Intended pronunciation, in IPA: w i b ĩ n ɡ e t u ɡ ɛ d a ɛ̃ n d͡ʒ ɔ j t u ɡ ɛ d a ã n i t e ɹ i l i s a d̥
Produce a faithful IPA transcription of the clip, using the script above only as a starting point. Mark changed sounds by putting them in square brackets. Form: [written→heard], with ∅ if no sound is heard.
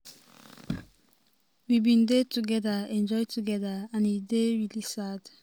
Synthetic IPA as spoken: w i b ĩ n [ɡ→d] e t u ɡ ɛ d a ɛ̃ n d͡ʒ ɔ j t u ɡ ɛ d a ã n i [t→d] e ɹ i l i s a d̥